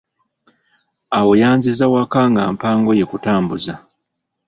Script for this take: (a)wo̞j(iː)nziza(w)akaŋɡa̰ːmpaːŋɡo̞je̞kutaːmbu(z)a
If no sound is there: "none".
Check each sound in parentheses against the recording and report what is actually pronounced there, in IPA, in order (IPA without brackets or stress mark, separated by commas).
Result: a, aː, w, z